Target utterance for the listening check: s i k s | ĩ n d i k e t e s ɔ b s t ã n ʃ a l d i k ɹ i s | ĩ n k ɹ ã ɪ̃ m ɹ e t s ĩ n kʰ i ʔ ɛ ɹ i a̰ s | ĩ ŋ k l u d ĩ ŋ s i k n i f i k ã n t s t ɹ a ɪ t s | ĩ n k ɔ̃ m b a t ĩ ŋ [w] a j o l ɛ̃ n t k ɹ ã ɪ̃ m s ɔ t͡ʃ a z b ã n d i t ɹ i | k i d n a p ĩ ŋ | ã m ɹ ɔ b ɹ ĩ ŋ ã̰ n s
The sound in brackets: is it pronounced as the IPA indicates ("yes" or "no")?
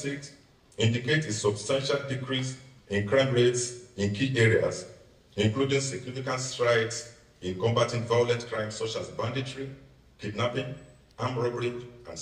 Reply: no